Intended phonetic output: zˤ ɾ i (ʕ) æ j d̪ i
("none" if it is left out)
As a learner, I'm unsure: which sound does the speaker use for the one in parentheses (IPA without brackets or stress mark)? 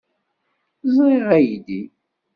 ʁ